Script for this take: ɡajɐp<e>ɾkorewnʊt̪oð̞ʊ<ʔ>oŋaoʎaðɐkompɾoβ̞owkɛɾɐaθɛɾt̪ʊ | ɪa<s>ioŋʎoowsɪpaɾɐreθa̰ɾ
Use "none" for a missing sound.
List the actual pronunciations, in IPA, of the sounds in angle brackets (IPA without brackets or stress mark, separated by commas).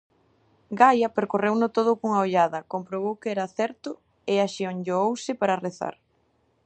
e, k, ʃ